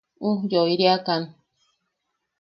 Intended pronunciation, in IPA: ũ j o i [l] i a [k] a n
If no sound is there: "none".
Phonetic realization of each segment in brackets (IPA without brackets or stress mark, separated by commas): ɾ, k